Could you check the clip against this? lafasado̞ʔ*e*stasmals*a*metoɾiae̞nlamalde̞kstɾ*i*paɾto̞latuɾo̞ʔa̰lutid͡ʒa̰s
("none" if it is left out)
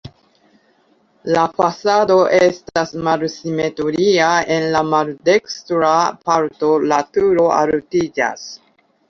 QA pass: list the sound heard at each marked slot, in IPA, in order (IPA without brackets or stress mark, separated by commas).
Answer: e, i, a